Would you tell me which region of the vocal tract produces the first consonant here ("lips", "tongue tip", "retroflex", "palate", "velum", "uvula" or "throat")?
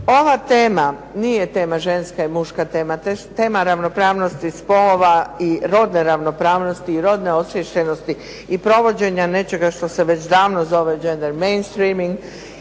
lips